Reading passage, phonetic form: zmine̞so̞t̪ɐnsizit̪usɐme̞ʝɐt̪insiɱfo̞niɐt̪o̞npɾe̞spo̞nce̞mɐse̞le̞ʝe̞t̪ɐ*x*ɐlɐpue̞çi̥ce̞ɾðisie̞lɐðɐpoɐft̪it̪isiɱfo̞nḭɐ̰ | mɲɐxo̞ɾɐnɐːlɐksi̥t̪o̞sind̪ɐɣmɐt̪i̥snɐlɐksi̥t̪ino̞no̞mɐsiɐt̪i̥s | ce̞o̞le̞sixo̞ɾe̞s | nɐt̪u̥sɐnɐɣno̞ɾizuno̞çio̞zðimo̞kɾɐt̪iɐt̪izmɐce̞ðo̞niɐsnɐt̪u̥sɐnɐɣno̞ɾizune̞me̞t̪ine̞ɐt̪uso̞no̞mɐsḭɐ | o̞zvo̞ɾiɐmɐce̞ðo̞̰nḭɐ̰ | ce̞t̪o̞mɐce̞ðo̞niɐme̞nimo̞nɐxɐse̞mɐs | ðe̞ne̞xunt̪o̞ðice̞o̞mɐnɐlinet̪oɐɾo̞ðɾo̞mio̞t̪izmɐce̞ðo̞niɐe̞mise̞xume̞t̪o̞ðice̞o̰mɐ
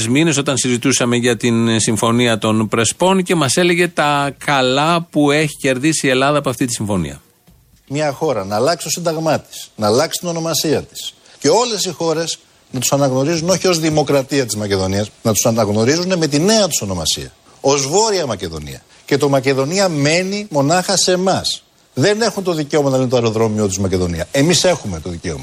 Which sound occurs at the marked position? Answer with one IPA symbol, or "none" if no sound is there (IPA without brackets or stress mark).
k